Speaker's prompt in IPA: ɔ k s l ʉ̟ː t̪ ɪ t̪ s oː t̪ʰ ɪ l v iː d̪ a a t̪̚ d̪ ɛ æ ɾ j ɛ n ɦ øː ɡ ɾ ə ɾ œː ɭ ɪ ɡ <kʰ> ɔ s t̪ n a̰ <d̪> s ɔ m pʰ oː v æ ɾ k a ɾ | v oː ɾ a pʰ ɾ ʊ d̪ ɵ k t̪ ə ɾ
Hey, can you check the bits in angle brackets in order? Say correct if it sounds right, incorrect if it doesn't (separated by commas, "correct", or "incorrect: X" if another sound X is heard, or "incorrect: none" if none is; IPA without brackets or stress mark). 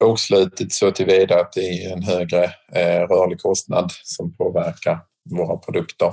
correct, correct